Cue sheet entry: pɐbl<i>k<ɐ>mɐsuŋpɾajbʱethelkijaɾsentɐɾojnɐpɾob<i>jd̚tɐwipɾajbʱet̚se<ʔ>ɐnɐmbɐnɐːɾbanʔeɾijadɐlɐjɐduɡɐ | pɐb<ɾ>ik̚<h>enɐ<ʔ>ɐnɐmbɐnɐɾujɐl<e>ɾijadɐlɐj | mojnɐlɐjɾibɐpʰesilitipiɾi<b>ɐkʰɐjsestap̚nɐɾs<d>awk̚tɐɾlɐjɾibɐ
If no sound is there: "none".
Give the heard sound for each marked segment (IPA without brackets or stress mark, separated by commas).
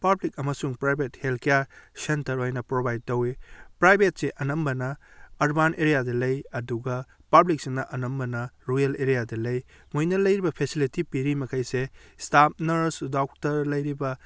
i, ɐ, a, ʔ, l, s, ʔ, e, m, d